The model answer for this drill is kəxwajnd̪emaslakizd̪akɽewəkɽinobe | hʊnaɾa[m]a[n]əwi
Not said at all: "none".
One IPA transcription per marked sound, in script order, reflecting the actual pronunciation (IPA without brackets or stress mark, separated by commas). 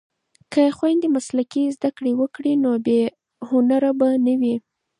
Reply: b, n